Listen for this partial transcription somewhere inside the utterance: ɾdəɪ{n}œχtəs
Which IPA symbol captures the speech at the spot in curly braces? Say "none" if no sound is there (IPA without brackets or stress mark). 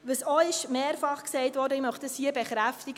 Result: m